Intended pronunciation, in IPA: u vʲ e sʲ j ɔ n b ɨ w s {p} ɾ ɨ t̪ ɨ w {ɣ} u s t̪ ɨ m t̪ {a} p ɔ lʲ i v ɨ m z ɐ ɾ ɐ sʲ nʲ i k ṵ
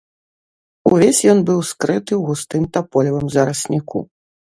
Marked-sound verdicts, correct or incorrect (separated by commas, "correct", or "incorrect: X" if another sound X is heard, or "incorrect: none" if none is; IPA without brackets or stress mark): incorrect: k, correct, correct